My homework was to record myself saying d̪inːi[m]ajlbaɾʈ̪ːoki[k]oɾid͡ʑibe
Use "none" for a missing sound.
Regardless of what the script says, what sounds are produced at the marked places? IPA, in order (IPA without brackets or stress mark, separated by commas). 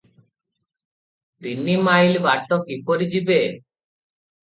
m, p